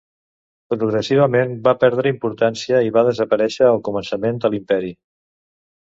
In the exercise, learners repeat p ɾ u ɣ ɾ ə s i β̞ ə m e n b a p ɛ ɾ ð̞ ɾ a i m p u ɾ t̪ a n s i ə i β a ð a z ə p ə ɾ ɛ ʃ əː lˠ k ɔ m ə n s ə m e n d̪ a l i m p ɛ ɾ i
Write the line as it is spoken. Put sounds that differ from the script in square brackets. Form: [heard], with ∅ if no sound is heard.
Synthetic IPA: p ɾ u ɣ ɾ ə s i β̞ ə m e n b a p ɛ ɾ ð̞ ɾ [ə] i m p u ɾ t̪ a n s i ə i β a ð [ə] z ə p ə ɾ ɛ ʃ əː lˠ k [u] m ə n s ə m e n d̪ [ə] l i m p ɛ ɾ i